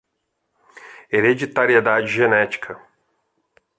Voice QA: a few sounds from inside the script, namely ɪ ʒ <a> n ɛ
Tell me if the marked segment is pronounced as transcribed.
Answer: no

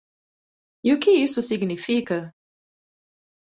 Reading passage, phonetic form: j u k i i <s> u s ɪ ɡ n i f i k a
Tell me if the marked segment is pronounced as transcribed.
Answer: yes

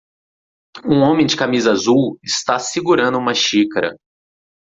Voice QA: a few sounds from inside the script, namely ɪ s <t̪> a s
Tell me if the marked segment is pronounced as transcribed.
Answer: yes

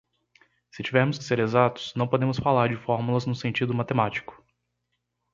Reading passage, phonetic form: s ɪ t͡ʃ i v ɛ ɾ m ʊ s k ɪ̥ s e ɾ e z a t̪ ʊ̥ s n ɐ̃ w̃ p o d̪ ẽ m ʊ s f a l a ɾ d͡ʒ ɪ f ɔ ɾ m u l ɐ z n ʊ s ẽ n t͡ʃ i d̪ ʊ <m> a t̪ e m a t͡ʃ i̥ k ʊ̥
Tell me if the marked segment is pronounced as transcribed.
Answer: yes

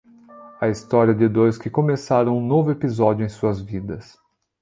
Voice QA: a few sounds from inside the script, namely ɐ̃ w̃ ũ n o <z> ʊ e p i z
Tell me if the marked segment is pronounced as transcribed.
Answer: no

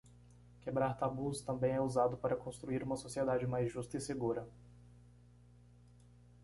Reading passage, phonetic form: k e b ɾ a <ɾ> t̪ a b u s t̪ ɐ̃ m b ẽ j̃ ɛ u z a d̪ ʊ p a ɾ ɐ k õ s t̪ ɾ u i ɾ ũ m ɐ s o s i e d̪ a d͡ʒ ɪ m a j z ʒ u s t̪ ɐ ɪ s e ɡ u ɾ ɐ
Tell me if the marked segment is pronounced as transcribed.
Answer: yes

